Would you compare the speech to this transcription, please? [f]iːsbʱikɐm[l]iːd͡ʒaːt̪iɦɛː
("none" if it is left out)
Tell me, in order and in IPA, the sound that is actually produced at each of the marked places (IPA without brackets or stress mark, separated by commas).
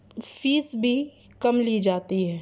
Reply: f, l